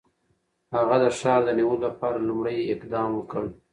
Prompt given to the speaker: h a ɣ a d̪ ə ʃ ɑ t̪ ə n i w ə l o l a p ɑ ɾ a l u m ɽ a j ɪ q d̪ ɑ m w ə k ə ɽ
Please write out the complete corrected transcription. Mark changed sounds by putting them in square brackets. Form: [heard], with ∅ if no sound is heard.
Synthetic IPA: h a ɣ a d̪ ə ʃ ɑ [d̪] ə n i w ə l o l a p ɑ ɾ a l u m ɽ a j ɪ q d̪ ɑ m w ə k ə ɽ